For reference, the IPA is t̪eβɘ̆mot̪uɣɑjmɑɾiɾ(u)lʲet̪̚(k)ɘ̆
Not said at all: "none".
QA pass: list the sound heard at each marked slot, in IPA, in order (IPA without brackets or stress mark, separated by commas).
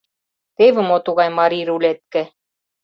u, k